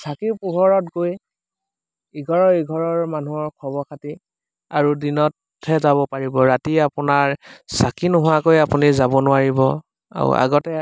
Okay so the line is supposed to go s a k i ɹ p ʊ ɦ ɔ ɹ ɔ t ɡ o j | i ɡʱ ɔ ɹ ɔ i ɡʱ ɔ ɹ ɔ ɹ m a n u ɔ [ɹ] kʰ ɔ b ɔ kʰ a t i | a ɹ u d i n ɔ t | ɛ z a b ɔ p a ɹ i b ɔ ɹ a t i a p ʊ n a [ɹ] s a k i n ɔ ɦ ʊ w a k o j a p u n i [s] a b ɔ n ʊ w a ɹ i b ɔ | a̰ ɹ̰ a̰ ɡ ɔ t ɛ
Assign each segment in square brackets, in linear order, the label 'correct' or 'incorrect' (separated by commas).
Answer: correct, correct, incorrect